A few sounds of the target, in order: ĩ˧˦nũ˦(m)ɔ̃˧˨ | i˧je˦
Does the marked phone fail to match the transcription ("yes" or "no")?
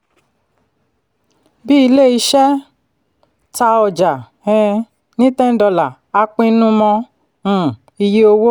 no